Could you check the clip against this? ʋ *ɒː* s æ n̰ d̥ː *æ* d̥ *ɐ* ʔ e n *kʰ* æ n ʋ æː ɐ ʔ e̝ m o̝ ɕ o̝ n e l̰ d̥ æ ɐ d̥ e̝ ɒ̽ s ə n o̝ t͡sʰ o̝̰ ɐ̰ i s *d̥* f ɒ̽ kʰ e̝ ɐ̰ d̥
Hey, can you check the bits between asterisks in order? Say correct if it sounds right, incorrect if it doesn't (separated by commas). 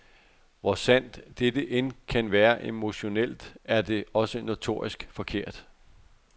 incorrect, incorrect, incorrect, correct, incorrect